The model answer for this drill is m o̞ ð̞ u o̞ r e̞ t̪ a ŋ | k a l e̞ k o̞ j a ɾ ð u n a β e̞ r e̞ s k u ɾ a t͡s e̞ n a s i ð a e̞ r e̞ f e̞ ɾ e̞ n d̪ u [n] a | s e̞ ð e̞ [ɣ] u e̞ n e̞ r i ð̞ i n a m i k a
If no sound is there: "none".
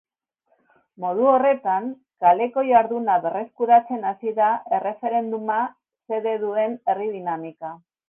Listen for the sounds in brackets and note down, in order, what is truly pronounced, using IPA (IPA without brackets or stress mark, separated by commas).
m, ð